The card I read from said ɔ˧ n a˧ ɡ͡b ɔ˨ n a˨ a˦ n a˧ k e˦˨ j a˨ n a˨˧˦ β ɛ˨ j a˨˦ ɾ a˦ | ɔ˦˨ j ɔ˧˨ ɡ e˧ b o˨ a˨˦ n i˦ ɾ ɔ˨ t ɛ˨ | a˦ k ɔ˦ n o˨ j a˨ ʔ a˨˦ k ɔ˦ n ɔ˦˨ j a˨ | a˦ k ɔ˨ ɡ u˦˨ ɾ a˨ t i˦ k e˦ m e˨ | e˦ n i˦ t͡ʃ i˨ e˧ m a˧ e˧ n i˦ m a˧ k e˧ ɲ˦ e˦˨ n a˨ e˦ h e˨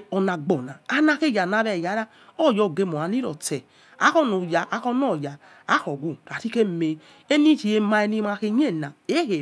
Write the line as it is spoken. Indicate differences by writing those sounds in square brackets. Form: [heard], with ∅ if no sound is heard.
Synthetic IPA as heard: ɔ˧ n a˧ ɡ͡b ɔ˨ n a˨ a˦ n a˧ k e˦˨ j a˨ n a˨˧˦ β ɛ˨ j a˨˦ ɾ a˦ | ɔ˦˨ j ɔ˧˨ ɡ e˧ [m] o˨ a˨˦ n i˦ ɾ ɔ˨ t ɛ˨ | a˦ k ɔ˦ n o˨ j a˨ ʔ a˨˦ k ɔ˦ n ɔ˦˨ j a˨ | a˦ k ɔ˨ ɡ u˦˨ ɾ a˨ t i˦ k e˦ m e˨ | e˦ n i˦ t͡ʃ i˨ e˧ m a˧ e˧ n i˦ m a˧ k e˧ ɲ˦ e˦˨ n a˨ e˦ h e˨